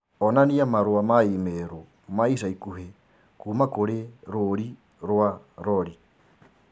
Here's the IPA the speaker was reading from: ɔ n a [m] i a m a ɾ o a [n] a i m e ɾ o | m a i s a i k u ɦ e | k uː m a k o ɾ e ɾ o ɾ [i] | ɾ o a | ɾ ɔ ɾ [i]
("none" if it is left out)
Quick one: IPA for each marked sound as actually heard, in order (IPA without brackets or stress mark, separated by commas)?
n, m, i, i